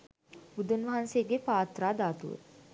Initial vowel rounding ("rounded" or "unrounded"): rounded